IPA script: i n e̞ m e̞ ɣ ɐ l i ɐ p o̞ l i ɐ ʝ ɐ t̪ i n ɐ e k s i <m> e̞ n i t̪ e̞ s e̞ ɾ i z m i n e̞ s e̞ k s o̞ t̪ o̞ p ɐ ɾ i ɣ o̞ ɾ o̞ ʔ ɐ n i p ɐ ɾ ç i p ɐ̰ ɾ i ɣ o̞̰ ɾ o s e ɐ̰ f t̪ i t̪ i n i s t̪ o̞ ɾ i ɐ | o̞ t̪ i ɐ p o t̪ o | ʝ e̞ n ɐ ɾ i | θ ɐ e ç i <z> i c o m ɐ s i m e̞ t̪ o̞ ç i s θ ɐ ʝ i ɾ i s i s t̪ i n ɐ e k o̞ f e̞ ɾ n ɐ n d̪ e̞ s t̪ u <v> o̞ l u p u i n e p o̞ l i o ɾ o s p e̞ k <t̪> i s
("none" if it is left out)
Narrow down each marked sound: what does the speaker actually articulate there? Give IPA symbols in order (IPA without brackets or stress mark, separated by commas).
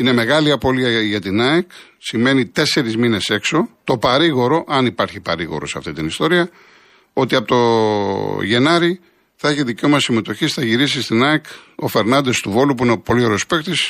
m, ð, v, t̪